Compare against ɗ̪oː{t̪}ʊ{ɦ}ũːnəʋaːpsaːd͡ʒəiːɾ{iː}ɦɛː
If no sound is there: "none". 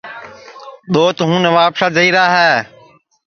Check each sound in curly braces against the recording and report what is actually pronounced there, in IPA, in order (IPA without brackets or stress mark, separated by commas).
t̪, ɦ, aː